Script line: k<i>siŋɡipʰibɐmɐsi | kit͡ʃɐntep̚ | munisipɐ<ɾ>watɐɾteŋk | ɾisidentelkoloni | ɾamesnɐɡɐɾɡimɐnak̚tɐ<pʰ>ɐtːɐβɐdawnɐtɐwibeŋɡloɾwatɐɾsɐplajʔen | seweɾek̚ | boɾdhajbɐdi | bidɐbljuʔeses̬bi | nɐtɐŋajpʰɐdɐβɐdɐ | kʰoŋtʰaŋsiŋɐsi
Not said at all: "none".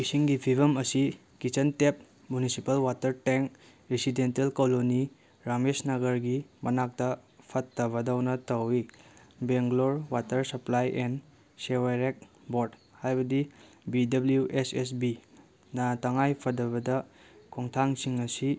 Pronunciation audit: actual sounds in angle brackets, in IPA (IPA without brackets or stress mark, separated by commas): i, l, pʰ